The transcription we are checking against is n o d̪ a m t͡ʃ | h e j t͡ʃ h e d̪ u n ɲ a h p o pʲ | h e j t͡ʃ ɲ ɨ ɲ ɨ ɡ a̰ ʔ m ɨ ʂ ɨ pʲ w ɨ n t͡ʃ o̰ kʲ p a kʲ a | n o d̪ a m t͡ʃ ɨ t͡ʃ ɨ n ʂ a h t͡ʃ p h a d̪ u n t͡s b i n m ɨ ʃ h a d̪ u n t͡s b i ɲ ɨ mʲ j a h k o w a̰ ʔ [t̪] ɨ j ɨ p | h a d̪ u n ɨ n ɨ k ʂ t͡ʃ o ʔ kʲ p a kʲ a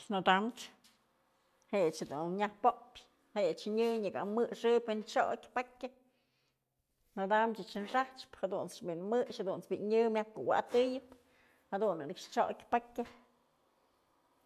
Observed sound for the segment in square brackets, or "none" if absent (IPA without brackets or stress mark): t̪